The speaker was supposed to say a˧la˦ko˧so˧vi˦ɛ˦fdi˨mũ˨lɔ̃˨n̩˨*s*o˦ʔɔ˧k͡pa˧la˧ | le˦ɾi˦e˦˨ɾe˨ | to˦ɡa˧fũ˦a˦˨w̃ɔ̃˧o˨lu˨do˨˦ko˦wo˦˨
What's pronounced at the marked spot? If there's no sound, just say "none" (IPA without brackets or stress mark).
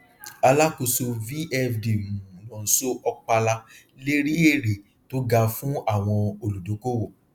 s